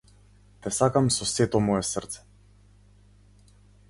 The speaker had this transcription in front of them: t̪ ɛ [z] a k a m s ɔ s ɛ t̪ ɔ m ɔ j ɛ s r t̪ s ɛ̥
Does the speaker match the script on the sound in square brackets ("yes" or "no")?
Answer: no